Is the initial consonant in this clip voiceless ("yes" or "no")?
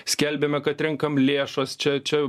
yes